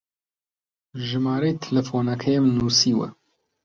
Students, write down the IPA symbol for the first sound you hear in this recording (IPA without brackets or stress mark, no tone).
ʒ